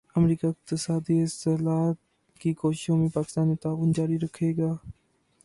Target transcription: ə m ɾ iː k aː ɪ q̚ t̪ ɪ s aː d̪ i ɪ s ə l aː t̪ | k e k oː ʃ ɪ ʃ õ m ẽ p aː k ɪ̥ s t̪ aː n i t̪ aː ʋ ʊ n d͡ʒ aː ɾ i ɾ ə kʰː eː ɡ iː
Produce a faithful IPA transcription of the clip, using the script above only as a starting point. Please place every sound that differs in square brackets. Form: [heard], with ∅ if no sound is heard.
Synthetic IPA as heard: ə m ɾ iː k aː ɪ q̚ t̪ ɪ s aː d̪ i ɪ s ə l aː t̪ | k [i] k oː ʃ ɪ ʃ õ m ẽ p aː k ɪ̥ s t̪ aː n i t̪ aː ʋ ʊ n d͡ʒ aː ɾ i ɾ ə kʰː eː ɡ [aː]